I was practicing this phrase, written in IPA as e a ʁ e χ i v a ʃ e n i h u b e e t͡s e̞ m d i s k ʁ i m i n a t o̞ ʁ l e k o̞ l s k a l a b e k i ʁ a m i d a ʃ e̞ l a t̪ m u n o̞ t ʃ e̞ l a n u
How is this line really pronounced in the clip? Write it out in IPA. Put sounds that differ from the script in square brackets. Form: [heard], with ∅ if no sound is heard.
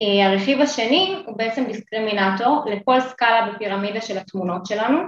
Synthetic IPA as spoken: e a ʁ e χ i v a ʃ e n i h u b e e t͡s e̞ m d i s k ʁ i m i n a t o̞ ʁ l e k o̞ l s k a l a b e [p] i ʁ a m i d a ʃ e̞ l a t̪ m u n o̞ t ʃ e̞ l a n u